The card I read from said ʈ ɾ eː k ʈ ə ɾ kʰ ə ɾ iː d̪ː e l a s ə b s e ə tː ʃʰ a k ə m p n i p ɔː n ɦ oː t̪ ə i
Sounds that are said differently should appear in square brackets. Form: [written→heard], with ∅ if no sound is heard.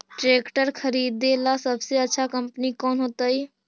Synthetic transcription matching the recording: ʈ ɾ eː k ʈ ə ɾ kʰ ə ɾ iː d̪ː e l a s ə b s e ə tː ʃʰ a k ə m p n i [p→k] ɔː n ɦ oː t̪ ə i